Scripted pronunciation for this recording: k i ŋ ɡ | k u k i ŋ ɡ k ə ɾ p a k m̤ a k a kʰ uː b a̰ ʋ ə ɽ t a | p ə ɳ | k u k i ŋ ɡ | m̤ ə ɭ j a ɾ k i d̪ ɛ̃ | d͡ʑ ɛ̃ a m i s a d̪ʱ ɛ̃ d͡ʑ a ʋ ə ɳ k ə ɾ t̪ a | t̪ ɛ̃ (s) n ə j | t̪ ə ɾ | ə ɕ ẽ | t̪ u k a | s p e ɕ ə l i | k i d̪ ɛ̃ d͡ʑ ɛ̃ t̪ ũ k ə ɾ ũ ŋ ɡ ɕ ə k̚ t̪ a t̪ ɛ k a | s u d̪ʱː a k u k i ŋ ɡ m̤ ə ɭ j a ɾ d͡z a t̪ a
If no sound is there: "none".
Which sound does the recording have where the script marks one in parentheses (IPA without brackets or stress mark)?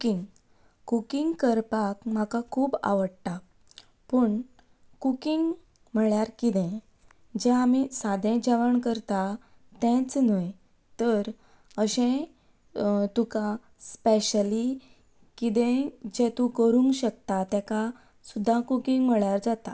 t͡s